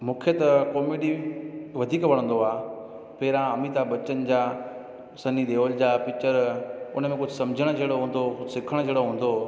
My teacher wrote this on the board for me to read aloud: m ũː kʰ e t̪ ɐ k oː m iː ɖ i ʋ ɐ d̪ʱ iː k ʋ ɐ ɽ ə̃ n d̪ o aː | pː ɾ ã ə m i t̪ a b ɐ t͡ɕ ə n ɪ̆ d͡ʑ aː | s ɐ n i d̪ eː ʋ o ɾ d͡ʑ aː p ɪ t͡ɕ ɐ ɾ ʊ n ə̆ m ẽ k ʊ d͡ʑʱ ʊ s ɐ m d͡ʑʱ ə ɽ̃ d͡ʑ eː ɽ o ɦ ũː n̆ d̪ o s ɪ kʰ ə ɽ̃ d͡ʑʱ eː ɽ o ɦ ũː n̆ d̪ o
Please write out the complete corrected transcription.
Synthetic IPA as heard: m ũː kʰ e t̪ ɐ k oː m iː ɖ i ʋ ɐ d̪ʱ iː k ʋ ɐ ɽ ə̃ n d̪ o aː | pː ɾ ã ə m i t̪ a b ɐ t͡ɕ ə n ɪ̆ d͡ʑ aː | s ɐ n i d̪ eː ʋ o l d͡ʑ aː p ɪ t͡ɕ ə ɾ ʊ n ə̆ m ẽ k ʊ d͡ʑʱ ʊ s ɐ m d͡ʑʱ ə ɽ̃ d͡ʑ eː ɽ o ɦ ũː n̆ d̪ o s ɪ kʰ ə ɽ̃ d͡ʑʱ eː ɽ o ɦ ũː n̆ d̪ o